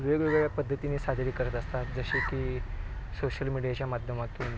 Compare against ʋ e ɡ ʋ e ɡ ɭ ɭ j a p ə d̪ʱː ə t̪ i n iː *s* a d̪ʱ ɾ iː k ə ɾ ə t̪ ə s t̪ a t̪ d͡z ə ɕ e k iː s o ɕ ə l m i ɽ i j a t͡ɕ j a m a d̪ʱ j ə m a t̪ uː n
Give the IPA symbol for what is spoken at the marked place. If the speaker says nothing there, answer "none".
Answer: s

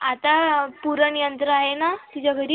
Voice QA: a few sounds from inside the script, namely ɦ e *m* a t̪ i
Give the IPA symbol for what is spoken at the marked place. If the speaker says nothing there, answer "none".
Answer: n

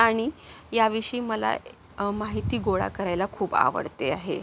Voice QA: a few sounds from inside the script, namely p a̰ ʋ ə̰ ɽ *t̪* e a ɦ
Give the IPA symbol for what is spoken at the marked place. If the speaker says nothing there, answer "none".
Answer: t̪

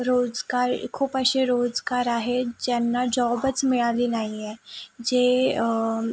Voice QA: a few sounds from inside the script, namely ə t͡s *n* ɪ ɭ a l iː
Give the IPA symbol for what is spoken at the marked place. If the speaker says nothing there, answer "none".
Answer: m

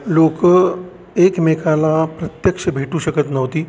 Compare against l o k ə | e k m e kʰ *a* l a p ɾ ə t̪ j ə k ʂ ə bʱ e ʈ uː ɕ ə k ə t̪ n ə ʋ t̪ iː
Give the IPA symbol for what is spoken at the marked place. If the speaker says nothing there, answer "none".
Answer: a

